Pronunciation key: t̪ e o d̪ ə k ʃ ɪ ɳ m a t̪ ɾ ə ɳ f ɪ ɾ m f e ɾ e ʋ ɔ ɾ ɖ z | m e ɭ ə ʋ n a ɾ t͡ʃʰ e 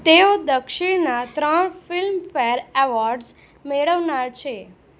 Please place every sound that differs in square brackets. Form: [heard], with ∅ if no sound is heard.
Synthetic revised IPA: t̪ e o d̪ ə k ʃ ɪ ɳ [n] a t̪ ɾ ə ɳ f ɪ [l] m f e ɾ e ʋ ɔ ɾ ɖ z | m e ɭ ə ʋ n a ɾ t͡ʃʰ e